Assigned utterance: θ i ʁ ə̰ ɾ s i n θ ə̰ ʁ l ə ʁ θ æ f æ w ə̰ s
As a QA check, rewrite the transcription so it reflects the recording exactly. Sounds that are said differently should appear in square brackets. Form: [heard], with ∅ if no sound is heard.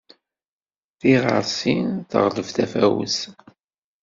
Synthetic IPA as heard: θ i ʁ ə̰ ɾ s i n θ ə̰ ʁ l ə [v] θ æ f æ w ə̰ s